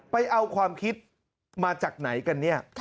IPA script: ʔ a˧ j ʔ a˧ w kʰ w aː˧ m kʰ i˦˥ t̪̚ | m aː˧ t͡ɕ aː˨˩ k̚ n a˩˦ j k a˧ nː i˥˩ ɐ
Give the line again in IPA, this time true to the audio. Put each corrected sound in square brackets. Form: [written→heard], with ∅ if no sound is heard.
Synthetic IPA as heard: [ʔ→p] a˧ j ʔ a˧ w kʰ w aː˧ m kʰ i˦˥ t̪̚ | m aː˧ t͡ɕ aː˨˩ k̚ n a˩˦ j k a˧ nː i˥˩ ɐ